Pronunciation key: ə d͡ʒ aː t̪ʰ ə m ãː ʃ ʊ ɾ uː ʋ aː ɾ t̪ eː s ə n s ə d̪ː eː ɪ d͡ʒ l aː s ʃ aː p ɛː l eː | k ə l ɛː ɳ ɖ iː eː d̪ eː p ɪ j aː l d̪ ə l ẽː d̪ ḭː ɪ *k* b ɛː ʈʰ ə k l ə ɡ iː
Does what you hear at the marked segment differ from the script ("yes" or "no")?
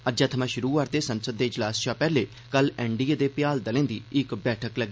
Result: no